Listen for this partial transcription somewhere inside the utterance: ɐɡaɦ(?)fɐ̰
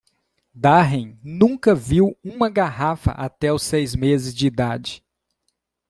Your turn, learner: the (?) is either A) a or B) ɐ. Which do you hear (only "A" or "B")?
A